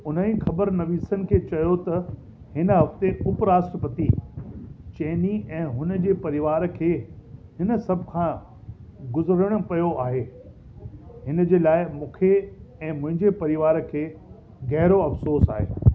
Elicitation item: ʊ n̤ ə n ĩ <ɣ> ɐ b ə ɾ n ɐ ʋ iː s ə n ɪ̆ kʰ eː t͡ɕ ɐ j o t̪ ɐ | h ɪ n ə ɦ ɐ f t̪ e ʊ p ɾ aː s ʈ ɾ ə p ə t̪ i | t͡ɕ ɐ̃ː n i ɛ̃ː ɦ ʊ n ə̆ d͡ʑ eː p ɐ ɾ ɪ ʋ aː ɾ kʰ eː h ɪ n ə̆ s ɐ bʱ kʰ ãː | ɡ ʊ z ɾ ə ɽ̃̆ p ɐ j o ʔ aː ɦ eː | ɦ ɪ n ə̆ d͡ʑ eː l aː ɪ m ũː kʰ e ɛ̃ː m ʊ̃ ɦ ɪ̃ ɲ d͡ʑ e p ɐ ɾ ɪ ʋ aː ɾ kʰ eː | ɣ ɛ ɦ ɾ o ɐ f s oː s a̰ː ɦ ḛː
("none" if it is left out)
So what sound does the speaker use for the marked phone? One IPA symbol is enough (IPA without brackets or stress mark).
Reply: x